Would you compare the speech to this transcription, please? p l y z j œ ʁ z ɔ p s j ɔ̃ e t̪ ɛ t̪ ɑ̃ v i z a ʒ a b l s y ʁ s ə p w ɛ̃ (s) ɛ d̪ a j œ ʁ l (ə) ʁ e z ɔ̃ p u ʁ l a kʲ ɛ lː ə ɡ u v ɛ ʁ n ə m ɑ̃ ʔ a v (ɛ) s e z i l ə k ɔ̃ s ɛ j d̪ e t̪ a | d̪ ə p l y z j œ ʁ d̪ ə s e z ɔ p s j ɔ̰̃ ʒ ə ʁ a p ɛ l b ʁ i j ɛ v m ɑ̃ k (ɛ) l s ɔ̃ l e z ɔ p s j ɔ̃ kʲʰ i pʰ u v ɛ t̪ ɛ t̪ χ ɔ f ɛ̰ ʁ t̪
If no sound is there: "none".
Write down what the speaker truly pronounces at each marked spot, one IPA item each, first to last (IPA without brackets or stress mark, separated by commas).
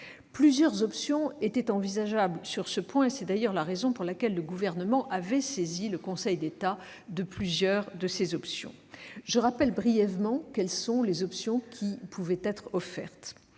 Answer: s, a, ɛ, ɛ